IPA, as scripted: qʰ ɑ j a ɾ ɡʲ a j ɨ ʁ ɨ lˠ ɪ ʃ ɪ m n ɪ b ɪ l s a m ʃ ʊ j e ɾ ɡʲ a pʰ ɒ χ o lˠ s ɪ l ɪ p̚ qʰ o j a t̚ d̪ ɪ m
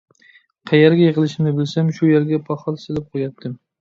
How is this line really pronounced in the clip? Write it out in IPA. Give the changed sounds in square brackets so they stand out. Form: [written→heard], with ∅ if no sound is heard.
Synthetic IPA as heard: qʰ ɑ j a ɾ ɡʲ a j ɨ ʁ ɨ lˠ ɪ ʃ ɪ m n ɪ b ɪ l s a m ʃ ʊ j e ɾ ɡʲ a pʰ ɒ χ [o→ɒ] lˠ s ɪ l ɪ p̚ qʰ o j a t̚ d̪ ɪ m